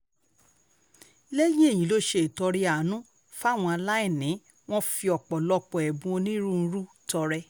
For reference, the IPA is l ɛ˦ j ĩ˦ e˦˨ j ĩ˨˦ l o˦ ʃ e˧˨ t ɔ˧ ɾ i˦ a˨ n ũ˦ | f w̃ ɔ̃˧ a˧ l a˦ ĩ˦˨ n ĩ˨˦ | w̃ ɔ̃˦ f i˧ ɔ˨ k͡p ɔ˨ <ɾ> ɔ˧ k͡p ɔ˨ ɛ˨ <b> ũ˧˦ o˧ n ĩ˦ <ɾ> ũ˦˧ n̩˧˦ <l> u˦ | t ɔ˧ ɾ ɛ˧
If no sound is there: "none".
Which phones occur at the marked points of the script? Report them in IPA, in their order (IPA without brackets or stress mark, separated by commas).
l, b, ɾ, ɾ